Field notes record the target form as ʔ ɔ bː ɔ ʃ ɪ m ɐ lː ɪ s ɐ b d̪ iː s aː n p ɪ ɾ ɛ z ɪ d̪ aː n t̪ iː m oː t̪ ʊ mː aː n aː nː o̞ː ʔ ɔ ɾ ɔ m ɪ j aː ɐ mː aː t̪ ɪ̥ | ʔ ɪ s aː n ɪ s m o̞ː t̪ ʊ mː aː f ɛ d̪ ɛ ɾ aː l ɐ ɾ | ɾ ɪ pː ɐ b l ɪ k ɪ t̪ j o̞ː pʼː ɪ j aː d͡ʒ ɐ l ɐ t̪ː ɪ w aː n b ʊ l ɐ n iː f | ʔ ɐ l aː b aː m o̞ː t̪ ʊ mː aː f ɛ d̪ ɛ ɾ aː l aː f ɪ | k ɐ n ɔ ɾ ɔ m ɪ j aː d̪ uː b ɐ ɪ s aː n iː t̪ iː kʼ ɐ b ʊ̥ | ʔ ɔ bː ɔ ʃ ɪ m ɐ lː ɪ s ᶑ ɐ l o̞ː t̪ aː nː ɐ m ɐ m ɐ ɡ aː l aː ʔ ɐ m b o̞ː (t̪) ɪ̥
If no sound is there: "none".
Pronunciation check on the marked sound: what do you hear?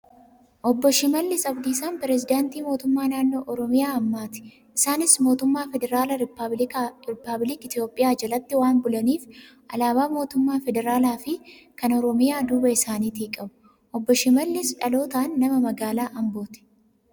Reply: t̪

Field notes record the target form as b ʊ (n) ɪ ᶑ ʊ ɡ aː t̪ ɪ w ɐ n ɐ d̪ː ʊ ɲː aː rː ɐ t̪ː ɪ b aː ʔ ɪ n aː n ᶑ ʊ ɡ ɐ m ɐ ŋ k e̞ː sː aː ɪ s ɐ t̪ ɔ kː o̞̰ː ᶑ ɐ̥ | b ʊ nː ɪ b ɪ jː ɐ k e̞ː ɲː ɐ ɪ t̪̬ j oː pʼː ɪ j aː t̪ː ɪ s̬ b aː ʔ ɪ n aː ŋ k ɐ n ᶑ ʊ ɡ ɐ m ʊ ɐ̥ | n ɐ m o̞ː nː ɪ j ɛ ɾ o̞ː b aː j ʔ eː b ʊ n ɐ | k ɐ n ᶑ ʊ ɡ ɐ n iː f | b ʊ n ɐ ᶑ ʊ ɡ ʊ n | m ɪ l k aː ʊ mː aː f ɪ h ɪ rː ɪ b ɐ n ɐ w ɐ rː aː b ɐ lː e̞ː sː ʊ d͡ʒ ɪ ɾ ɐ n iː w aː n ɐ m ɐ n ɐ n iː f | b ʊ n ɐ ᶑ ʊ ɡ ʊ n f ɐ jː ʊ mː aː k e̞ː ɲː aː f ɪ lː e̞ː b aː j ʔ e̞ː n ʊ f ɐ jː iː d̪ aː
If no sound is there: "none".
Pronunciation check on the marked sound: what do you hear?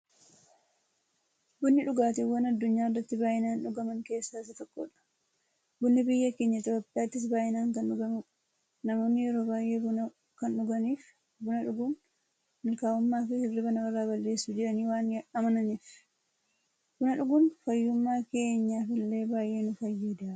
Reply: nː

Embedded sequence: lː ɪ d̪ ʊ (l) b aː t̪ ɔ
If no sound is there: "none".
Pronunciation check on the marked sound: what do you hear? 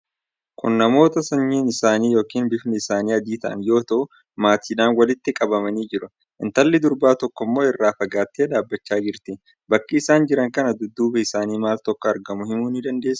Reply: ɾ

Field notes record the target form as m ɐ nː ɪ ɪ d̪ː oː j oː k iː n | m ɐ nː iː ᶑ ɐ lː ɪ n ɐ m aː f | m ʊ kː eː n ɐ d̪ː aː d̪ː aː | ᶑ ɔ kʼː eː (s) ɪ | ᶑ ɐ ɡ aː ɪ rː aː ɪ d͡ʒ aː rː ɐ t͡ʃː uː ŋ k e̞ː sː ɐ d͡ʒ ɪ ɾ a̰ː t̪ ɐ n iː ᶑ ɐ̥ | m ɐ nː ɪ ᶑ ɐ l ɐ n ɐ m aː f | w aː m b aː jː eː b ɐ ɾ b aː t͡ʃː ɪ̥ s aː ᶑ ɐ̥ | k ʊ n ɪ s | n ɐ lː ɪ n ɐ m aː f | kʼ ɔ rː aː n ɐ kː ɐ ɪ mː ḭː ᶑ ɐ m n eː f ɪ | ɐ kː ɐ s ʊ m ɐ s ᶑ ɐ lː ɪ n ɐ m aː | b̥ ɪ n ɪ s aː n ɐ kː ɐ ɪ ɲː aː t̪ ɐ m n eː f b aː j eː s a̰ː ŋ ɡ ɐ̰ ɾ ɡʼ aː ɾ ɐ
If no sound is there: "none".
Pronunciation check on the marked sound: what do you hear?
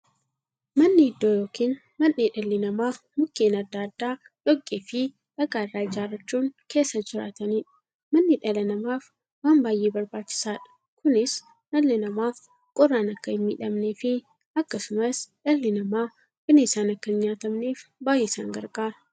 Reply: f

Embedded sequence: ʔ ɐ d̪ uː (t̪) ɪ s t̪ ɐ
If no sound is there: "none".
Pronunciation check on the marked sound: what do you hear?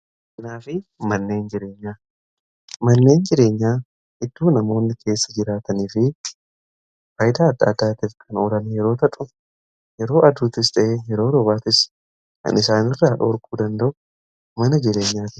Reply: t̪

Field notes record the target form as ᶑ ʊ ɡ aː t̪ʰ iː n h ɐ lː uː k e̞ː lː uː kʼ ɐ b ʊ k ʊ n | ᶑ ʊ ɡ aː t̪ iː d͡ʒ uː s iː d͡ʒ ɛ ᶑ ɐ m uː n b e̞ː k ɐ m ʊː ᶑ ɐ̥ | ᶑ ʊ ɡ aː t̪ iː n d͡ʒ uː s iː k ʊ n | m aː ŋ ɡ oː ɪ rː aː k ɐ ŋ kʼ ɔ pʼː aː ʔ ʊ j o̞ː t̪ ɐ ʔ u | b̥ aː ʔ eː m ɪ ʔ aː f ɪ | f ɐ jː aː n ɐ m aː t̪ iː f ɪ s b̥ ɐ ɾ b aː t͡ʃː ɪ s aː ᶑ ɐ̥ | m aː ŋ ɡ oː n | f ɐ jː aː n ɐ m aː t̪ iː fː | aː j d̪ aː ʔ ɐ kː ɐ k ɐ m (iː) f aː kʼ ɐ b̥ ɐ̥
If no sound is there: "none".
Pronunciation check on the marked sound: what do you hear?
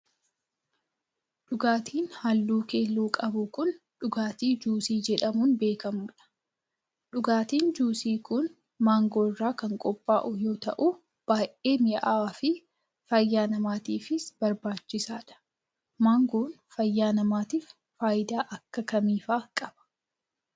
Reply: iː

